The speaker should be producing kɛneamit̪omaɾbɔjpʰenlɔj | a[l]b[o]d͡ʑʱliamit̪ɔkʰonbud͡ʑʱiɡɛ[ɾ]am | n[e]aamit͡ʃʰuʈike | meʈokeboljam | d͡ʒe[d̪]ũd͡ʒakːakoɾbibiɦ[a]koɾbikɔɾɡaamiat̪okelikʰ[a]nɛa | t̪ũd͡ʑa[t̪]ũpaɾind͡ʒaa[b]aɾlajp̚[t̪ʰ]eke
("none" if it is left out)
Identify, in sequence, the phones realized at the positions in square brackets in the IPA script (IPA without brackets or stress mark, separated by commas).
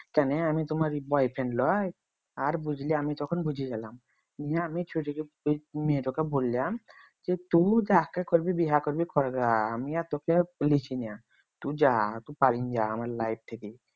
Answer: ɾ, u, l, i, t̪, a, i, t̪, m, t̪ʰ